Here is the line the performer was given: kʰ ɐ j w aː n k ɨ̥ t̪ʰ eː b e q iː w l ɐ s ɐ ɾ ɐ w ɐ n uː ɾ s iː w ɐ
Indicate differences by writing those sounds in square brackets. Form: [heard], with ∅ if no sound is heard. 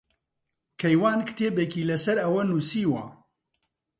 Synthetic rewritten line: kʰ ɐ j w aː n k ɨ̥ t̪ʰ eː b e [k] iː [∅] l ɐ s ɐ ɾ ɐ w ɐ n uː [∅] s iː w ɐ